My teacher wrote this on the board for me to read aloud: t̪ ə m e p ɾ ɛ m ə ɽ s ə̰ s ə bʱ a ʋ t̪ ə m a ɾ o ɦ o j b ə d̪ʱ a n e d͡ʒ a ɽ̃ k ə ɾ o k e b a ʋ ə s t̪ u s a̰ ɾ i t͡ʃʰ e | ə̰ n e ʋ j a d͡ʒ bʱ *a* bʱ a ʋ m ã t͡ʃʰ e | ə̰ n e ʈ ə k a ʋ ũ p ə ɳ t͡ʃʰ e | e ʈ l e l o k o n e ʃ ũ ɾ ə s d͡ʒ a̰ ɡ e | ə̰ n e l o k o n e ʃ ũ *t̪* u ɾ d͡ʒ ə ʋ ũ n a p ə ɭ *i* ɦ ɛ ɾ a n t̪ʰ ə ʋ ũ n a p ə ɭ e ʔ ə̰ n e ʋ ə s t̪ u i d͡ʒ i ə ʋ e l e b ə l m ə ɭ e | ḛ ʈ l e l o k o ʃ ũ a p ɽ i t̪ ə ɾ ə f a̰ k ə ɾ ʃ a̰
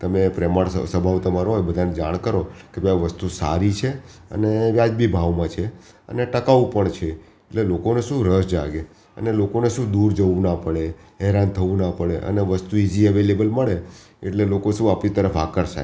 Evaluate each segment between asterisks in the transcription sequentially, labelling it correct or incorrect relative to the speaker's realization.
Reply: incorrect, incorrect, incorrect

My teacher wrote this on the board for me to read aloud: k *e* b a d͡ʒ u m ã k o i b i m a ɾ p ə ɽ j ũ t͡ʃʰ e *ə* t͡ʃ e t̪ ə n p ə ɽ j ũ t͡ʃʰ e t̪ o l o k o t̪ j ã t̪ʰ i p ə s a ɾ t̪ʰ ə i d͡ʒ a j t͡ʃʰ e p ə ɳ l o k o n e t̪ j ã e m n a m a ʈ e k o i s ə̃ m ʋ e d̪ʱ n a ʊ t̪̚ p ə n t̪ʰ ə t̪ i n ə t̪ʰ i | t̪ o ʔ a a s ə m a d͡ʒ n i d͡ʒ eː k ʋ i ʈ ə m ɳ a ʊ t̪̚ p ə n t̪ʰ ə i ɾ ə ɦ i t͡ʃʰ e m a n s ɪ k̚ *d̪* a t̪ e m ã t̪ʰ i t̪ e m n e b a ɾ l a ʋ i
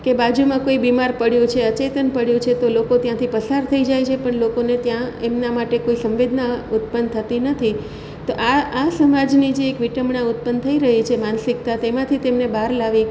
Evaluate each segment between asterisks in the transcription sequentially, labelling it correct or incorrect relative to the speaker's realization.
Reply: correct, correct, incorrect

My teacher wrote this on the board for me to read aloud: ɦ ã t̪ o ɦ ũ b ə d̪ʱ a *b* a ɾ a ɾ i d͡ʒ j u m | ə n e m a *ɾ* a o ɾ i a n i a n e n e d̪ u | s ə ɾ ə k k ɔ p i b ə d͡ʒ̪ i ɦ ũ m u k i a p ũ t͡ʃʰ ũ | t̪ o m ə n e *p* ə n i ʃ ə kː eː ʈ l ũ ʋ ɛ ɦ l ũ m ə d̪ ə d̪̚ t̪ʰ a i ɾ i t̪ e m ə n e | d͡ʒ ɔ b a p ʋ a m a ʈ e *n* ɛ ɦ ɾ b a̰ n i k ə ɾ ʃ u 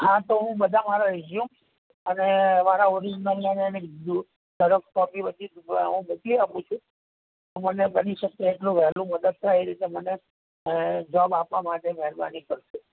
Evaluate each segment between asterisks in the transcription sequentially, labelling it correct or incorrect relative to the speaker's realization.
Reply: incorrect, correct, incorrect, incorrect

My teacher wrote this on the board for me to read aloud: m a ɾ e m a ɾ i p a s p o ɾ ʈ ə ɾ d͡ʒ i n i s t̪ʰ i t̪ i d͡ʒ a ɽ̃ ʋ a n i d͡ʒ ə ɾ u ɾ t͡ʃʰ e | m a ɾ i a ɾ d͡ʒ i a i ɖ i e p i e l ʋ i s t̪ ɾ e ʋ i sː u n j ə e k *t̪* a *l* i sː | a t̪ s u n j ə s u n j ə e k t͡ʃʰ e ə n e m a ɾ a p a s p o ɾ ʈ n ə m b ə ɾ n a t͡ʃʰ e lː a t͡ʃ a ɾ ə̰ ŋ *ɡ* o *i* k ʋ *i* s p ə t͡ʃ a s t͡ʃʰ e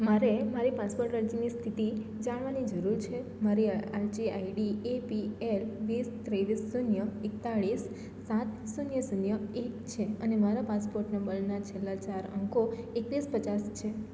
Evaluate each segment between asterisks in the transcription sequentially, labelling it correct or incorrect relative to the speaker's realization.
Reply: correct, incorrect, incorrect, incorrect, correct

